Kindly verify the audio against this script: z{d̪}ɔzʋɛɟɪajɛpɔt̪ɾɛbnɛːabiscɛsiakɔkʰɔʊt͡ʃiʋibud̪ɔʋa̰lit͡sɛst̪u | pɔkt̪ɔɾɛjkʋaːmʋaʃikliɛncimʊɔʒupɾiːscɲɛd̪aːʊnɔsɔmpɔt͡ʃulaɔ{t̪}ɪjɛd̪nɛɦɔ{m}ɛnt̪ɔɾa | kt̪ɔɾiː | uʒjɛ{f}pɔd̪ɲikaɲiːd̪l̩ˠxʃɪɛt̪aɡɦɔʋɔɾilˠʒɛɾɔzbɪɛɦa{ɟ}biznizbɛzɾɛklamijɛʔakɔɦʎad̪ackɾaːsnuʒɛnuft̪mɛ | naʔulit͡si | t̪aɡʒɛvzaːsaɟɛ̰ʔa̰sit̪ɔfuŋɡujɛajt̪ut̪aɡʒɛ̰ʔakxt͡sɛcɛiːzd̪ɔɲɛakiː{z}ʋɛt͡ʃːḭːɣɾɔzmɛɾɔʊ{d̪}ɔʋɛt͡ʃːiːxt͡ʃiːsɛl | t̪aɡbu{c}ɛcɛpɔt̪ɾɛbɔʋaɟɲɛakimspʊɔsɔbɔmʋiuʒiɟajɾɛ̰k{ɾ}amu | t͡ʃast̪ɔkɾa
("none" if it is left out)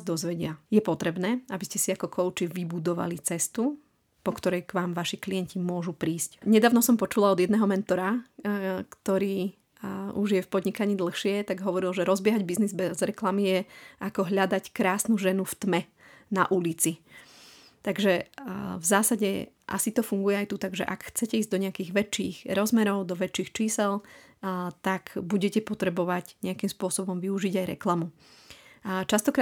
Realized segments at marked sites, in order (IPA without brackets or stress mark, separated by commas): d̪, d̪, m, f, ɟ, ɣ, d̪, ɟ, l